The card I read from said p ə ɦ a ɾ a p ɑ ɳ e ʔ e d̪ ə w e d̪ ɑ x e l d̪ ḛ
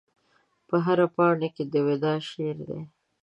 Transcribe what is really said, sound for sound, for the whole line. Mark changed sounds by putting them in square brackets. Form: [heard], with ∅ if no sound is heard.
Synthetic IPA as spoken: p ə ɦ a ɾ a p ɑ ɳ e [k] e d̪ ə w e d̪ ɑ [ʃ] e [ɾ] d̪ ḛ